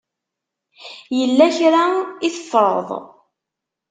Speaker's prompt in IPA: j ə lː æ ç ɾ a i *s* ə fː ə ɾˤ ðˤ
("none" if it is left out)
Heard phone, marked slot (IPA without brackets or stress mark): θ